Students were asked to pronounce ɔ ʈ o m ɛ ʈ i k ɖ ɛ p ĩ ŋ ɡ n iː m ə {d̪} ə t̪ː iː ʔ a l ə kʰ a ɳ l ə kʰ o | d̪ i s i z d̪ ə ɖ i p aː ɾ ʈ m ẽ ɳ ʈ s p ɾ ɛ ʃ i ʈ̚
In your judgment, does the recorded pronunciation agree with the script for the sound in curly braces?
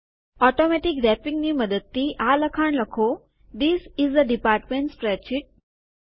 yes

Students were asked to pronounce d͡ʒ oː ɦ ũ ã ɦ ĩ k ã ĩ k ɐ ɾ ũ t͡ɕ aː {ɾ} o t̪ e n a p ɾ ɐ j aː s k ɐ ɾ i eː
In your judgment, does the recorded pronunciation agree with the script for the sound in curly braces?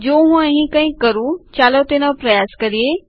no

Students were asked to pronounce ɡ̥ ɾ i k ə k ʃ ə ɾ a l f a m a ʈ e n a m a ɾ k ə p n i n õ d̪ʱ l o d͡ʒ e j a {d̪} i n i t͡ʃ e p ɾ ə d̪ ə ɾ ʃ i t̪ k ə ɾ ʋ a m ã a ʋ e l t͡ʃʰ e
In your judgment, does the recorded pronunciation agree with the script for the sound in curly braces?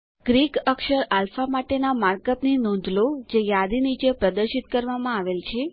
yes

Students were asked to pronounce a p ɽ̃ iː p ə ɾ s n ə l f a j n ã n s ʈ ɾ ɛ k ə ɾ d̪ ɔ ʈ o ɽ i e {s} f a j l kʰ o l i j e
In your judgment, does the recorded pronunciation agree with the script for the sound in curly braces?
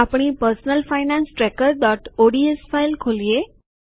yes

